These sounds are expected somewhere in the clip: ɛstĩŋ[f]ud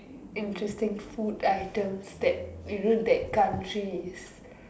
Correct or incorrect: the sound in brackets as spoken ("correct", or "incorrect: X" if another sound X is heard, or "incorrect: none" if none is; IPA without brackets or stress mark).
correct